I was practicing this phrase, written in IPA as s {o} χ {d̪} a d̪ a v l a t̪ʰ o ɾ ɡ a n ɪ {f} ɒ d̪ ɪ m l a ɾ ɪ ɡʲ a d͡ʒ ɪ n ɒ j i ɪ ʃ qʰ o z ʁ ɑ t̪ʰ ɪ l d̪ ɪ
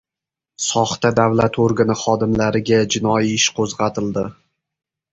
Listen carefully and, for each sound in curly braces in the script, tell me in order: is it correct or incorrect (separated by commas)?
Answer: incorrect, incorrect, incorrect